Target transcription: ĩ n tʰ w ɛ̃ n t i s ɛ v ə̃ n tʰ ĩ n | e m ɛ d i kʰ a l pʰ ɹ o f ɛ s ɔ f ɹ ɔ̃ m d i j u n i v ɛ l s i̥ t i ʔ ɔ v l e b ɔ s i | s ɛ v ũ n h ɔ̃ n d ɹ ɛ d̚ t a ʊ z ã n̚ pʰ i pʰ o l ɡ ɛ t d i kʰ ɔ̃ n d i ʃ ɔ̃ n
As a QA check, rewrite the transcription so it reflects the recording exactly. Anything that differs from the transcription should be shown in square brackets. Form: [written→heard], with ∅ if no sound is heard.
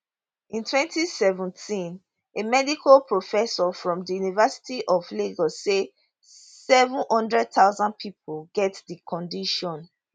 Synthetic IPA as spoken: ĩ n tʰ w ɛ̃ n t i s ɛ v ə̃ n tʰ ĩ n | e m ɛ d i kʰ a l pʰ ɹ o f ɛ s ɔ f ɹ ɔ̃ m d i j u n i v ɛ [l→∅] s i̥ t i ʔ ɔ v l e [b→ɡ] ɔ s [i→e] | s ɛ v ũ n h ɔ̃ n d ɹ ɛ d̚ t a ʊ z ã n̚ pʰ i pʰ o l ɡ ɛ t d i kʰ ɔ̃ n d i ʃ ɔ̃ n